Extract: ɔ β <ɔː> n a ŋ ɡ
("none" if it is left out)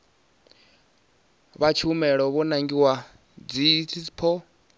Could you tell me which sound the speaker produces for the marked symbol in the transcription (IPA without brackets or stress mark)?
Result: ɔ